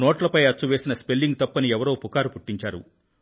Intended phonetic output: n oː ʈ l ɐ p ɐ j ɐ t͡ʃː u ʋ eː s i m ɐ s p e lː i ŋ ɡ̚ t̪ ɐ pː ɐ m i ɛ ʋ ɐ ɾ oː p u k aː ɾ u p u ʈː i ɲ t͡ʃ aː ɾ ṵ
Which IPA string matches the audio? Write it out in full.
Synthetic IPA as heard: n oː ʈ l ɐ p ɐ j ɐ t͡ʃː u ʋ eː s i n ɐ s p e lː i ŋ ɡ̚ t̪ ɐ pː ɐ n i ɛ ʋ ɐ ɾ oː p u k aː ɾ u p u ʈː i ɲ t͡ʃ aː ɾ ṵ